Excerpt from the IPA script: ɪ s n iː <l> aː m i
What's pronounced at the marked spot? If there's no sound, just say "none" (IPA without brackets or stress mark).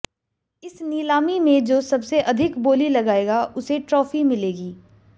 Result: l